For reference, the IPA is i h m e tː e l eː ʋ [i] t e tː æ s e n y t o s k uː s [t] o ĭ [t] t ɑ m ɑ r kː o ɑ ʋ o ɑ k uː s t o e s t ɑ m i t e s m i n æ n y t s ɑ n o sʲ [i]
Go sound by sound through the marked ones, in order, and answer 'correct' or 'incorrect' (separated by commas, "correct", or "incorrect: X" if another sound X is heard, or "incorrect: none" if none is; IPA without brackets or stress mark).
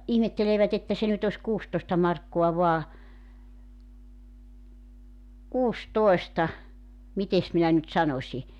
incorrect: æ, correct, incorrect: s, correct